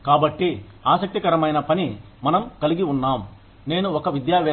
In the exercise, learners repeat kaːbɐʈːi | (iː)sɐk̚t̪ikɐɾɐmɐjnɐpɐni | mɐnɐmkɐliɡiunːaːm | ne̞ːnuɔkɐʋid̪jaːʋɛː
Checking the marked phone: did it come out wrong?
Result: yes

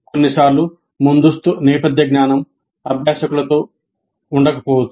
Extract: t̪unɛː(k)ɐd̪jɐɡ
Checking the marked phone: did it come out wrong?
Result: yes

